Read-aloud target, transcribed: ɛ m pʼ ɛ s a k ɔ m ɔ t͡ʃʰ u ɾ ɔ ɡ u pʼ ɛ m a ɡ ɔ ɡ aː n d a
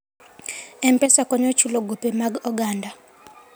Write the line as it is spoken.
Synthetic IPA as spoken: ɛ m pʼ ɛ s a k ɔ ɲ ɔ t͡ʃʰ u l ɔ ɡ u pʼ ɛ m a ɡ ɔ ɡ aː n d a